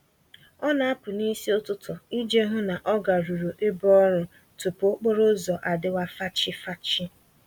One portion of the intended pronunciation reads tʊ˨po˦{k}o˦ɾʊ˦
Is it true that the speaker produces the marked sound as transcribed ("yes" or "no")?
no